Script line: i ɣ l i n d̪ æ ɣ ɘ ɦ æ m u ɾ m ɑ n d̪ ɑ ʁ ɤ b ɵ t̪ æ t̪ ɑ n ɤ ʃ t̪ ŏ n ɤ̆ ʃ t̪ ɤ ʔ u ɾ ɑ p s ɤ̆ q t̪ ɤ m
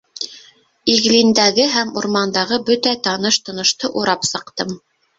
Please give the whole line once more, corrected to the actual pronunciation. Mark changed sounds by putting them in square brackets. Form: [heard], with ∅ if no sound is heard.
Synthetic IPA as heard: i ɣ l i n d̪ æ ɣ ɘ ɦ æ m u ɾ m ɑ n d̪ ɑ ʁ ɤ b ɵ t̪ æ t̪ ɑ n ɤ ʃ t̪ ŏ n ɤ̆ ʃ t̪ ɤ ʔ u ɾ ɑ p s ɤ̆ q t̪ ɤ m